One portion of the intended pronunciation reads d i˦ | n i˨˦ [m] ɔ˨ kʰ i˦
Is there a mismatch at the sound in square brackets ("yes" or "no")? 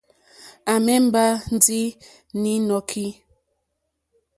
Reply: yes